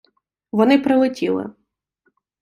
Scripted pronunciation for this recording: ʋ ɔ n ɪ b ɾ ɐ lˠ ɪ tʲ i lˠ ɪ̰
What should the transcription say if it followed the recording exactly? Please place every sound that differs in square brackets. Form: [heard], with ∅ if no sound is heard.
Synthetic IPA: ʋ ɔ n ɪ [p] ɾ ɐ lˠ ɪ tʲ i lˠ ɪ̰